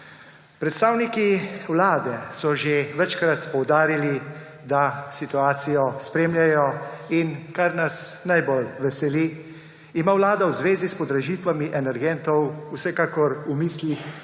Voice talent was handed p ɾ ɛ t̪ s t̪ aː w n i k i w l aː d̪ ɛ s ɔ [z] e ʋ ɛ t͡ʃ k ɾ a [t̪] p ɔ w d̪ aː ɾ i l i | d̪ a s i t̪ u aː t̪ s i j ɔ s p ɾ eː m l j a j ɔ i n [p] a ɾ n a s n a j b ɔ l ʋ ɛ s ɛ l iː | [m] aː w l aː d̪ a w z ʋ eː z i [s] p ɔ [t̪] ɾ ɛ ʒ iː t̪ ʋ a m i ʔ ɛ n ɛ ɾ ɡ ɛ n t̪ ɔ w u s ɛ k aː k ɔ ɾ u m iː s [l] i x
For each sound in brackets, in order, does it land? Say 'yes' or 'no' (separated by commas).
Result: no, yes, no, yes, yes, no, yes